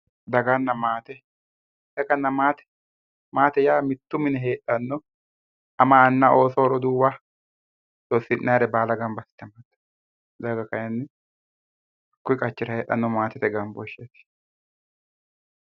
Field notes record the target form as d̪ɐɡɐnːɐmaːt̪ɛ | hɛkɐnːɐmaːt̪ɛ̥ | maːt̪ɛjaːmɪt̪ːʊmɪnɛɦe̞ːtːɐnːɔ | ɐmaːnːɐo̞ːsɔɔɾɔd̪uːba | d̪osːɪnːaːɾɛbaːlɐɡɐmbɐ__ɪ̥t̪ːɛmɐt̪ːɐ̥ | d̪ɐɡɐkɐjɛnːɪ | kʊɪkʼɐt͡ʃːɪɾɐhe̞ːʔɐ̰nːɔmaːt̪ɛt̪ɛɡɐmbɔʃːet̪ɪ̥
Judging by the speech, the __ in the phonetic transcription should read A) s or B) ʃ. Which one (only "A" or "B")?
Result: A